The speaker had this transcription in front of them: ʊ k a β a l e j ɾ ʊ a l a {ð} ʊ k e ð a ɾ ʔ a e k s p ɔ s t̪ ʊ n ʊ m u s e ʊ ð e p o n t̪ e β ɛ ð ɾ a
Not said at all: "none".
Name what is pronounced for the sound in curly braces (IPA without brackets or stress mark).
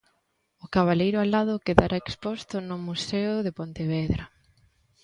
ð